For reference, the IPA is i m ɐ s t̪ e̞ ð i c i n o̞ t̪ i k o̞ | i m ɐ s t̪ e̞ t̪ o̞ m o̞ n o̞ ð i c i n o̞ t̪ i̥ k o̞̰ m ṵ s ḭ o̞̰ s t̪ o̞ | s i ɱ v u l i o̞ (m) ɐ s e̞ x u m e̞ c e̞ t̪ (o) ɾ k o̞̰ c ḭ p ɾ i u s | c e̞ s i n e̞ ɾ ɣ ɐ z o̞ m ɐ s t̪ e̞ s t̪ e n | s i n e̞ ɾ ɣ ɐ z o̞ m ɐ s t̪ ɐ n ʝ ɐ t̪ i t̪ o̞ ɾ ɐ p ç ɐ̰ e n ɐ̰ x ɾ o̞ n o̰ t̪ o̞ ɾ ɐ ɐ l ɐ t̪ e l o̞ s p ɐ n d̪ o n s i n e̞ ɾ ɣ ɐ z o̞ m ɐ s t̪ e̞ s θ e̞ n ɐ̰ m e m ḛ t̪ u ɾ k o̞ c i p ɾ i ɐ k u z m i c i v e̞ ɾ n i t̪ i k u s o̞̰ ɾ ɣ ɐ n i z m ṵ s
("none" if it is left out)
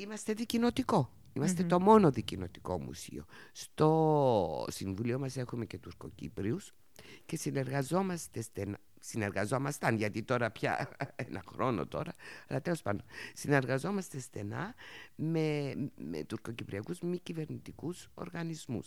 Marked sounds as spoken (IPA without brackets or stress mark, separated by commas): m, u